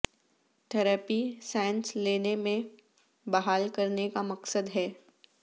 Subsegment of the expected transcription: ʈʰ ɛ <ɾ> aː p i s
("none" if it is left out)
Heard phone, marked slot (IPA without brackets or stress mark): ɾ